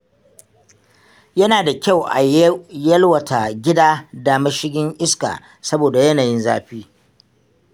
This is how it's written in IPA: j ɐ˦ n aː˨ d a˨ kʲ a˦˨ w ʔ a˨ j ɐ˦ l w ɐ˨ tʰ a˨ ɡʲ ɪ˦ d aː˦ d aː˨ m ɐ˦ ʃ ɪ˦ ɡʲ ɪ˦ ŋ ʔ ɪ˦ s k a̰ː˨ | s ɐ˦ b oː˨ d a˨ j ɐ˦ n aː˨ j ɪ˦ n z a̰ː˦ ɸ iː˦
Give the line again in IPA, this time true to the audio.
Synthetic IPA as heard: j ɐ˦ n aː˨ d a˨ kʲ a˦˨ w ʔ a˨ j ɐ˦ l w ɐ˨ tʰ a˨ ɡʲ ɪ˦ d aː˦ d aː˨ m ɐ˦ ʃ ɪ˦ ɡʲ ɪ˦ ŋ ʔ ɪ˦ s k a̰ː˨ | s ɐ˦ b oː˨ d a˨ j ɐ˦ n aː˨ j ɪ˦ n z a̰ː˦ ɸ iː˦